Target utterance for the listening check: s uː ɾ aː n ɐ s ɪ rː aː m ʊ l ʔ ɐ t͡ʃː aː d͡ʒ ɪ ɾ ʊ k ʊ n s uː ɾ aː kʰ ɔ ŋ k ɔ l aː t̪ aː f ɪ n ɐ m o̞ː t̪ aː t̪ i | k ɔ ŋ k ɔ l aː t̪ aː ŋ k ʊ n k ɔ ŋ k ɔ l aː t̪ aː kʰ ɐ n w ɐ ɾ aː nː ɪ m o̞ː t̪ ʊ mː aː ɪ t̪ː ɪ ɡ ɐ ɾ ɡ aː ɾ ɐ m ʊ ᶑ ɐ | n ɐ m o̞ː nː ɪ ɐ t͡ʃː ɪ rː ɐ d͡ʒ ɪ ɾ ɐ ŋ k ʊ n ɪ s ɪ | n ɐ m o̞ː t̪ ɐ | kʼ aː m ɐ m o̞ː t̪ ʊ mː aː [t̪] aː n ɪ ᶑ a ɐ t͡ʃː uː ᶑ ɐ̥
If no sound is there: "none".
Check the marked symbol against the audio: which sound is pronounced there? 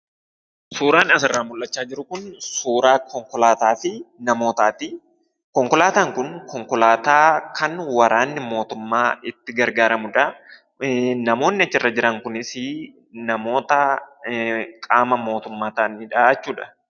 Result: t̪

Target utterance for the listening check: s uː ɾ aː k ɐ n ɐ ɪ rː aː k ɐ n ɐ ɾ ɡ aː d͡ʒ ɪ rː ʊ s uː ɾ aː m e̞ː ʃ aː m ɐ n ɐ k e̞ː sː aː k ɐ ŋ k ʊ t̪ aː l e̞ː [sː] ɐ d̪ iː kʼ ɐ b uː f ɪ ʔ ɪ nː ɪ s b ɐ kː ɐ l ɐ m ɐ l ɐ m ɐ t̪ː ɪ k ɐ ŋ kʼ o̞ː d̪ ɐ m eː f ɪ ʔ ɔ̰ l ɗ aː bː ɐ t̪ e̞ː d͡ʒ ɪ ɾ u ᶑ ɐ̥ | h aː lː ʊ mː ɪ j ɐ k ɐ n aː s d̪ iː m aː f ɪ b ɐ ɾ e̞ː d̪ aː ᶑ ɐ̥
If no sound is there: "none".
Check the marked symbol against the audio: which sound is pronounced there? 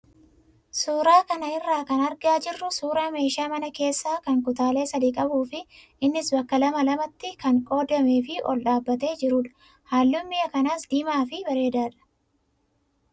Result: s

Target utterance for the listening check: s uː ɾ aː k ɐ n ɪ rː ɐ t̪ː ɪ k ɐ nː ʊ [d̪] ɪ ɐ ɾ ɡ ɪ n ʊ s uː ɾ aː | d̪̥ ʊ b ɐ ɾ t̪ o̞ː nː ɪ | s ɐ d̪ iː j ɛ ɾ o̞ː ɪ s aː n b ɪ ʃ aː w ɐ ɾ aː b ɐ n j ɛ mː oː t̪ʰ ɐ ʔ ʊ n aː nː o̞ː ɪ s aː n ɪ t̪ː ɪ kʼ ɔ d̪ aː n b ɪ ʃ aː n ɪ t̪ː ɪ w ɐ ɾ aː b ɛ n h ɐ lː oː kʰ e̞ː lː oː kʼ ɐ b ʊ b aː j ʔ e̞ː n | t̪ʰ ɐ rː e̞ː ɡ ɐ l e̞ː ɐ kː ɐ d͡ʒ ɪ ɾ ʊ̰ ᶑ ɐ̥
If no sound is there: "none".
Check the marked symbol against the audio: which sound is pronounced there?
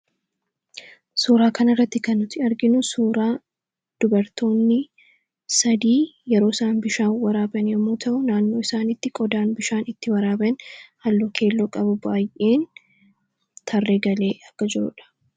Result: t̪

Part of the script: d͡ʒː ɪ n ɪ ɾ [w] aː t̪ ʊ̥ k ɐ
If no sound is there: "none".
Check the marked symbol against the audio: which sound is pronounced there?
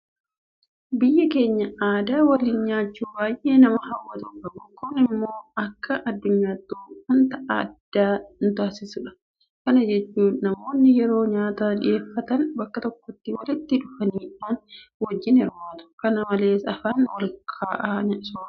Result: w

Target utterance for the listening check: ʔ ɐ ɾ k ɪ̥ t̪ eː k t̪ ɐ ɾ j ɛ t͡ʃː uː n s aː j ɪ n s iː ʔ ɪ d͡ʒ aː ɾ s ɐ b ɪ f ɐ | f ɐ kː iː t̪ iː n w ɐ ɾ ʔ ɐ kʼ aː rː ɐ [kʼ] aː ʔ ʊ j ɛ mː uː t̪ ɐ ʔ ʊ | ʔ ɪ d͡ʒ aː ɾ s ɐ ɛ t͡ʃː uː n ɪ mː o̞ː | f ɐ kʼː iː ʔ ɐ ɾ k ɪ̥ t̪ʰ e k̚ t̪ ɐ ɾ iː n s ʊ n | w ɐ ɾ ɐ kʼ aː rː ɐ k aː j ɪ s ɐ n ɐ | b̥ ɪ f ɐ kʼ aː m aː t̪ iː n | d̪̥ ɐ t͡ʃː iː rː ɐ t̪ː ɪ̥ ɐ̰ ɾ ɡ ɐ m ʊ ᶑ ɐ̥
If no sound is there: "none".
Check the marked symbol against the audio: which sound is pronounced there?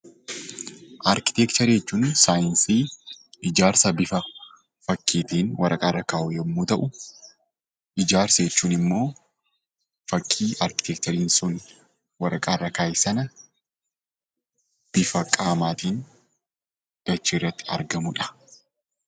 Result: k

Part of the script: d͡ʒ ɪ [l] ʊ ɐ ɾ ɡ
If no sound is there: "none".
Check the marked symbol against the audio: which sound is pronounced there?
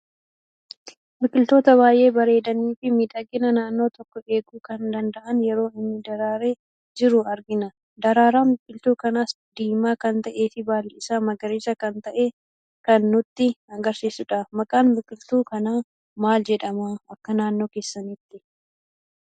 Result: ɾ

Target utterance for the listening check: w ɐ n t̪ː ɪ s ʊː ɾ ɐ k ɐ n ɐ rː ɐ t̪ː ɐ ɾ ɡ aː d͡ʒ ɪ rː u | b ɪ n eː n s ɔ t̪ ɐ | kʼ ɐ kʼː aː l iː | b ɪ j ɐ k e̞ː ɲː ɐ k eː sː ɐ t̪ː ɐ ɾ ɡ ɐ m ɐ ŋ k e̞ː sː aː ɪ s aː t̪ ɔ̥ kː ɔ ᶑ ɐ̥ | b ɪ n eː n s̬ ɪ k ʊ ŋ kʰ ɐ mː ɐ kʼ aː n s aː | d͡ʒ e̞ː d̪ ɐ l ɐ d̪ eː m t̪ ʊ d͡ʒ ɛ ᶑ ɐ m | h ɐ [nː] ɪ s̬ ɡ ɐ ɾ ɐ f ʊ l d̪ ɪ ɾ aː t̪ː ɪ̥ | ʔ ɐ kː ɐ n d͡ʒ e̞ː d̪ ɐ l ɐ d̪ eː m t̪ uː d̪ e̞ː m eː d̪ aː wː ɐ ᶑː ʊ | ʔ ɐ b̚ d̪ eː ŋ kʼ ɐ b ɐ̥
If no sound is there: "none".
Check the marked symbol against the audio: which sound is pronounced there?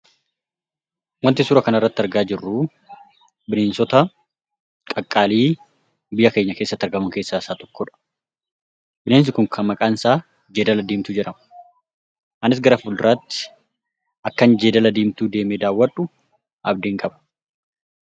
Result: n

